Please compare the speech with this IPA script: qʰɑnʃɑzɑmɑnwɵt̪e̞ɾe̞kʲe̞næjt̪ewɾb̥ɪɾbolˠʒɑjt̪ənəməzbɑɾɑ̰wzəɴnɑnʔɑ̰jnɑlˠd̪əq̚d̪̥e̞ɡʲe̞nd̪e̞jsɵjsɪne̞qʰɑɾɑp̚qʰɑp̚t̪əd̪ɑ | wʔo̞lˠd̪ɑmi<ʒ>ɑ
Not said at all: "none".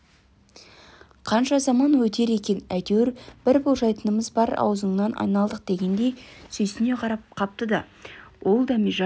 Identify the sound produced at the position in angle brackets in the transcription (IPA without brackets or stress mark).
ʒ